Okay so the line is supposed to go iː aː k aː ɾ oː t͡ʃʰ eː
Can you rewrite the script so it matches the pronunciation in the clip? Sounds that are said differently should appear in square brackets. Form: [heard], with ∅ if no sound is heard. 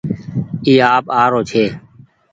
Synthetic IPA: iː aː [p] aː ɾ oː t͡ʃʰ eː